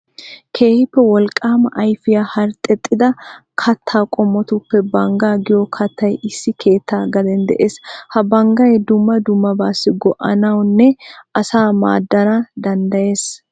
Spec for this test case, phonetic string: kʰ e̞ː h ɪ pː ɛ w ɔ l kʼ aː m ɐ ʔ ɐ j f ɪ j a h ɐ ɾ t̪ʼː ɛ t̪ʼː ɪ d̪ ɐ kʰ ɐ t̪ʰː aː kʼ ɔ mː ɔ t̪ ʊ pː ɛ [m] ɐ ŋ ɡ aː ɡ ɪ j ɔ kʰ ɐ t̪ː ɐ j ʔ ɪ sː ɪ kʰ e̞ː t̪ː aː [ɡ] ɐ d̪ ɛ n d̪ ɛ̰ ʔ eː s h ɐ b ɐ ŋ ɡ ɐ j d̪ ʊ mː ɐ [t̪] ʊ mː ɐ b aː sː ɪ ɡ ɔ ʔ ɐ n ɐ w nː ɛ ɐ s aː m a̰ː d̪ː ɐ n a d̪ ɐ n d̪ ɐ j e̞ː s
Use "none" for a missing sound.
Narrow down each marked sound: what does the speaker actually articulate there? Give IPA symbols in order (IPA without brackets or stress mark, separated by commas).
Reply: b, ɡ, d̪